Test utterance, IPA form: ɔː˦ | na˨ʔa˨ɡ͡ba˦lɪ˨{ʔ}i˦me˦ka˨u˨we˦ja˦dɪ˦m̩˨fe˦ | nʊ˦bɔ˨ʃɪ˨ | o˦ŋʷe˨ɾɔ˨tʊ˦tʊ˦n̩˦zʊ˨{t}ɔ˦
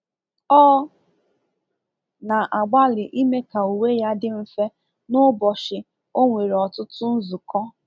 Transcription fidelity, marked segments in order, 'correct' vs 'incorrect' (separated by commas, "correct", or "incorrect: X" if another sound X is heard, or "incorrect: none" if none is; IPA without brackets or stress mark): correct, incorrect: k